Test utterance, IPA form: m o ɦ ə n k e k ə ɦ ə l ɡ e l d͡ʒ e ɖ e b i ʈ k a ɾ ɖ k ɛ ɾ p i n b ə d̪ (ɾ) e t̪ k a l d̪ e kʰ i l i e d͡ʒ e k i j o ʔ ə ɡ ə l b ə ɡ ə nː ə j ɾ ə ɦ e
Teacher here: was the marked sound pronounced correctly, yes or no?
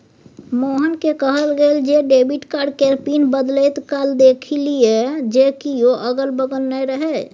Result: no